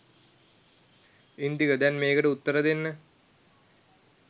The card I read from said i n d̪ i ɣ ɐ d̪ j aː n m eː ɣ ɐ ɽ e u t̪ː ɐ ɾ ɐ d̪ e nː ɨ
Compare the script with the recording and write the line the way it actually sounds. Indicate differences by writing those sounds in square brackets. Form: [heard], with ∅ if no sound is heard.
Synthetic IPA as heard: i n d̪ i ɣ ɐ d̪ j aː n m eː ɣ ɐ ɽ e u t̪ː ɐ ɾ ɐ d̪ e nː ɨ